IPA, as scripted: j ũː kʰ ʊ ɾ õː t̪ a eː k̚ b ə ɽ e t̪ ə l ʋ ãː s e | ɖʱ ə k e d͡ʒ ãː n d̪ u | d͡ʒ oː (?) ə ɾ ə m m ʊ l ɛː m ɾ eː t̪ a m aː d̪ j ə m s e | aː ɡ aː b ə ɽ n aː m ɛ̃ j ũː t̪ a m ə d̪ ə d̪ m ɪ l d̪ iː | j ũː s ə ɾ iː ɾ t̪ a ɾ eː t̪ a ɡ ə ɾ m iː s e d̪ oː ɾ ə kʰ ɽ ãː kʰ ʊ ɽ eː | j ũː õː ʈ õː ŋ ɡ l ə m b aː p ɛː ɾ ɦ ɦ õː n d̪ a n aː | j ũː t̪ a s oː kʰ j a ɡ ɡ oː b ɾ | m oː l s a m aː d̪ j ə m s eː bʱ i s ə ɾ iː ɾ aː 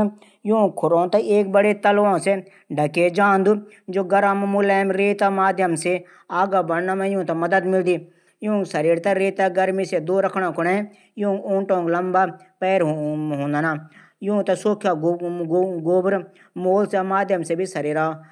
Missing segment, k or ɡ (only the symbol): ɡ